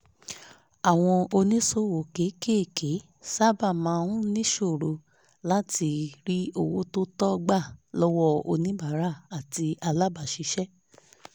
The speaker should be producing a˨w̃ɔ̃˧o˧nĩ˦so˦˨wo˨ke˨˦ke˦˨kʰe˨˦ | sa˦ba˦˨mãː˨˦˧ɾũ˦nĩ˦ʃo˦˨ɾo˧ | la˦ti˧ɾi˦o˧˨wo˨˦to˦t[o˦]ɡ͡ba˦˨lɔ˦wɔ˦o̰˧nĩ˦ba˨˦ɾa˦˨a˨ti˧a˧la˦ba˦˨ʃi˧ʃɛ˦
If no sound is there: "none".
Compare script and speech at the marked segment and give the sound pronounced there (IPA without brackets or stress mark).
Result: ɔ˦